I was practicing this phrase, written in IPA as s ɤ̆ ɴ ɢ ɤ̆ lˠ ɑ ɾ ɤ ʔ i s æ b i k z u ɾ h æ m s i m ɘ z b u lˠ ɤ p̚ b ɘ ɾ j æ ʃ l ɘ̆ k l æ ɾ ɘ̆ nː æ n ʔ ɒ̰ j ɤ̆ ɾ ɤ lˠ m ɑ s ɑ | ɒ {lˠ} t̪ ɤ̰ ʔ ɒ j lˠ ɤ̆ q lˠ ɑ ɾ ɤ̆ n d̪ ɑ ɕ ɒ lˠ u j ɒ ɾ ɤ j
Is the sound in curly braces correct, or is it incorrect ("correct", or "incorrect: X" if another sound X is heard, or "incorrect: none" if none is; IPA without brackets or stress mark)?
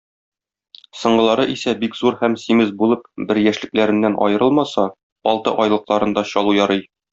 correct